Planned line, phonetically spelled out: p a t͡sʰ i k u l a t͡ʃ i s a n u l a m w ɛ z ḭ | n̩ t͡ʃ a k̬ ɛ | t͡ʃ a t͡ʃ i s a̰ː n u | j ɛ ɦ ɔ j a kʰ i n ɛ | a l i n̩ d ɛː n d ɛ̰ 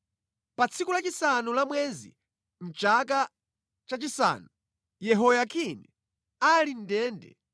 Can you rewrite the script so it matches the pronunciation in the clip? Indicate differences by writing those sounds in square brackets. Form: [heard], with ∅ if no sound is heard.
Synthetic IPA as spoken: p a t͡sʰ i k u l a t͡ʃ i s a n u l a m w ɛ z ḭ | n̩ t͡ʃ a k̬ [a] | t͡ʃ a t͡ʃ i s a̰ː n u | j ɛ ɦ ɔ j a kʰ i n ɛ | a l i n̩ d ɛː n d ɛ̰